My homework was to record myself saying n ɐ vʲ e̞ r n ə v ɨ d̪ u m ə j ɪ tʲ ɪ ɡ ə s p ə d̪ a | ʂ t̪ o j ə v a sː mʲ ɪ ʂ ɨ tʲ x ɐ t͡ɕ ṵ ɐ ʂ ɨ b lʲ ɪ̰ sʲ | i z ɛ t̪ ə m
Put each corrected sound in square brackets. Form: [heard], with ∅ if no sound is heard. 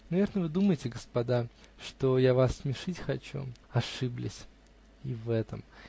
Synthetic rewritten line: n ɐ vʲ e̞ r n ə v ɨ d̪ u m ə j ɪ tʲ ɪ ɡ ə s p [ɐ] d̪ a | ʂ t̪ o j [a] v a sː mʲ ɪ ʂ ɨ tʲ x ɐ t͡ɕ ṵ ɐ ʂ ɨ b lʲ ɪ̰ sʲ | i [v] ɛ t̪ ə m